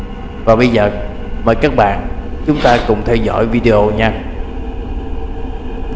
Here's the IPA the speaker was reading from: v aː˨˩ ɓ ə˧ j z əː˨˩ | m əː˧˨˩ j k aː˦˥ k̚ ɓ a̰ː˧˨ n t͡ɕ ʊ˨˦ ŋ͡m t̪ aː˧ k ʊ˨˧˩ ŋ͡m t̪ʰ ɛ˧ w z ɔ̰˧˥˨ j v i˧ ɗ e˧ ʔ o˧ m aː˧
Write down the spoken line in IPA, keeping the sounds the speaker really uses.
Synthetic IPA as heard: v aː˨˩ ɓ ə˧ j z əː˨˩ | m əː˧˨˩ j k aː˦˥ k̚ ɓ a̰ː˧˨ n t͡ɕ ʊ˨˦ ŋ͡m t̪ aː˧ k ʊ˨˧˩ ŋ͡m t̪ʰ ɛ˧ w z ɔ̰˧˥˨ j v i˧ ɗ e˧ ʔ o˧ ɲ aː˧